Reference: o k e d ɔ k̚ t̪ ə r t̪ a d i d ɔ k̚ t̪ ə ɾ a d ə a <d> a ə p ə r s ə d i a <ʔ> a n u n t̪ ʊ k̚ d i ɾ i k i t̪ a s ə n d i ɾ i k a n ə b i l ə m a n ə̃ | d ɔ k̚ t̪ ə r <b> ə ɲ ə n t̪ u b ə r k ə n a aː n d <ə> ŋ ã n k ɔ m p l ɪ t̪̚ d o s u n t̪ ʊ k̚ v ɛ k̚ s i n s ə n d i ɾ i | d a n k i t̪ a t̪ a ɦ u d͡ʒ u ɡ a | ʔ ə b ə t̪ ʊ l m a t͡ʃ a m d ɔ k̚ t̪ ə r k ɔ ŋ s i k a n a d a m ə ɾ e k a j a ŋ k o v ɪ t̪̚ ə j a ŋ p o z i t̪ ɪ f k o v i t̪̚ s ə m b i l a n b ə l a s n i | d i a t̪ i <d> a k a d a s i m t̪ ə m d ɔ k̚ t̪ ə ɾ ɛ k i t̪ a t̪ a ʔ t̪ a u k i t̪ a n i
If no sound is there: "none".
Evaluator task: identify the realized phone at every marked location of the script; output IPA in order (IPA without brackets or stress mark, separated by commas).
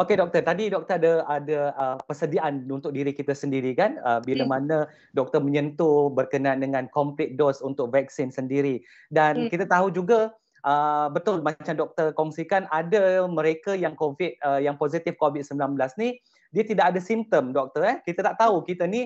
d, ʔ, m, ə, d